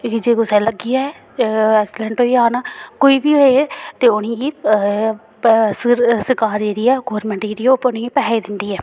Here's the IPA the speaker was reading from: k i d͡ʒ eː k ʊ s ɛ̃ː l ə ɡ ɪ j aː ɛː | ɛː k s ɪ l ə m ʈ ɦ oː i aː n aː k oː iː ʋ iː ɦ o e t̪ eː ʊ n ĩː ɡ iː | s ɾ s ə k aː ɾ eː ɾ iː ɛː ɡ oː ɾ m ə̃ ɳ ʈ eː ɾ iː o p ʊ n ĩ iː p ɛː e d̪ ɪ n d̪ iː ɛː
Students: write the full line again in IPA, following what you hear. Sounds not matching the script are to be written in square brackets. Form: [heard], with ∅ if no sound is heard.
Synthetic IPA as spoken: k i d͡ʒ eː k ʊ s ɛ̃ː l ə ɡ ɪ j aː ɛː | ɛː k s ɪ l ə [ɳ] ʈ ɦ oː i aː n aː k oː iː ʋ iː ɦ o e t̪ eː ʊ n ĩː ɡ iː | s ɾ s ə k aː ɾ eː ɾ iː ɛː ɡ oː ɾ m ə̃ ɳ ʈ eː ɾ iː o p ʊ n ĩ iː p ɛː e d̪ ɪ n d̪ iː ɛː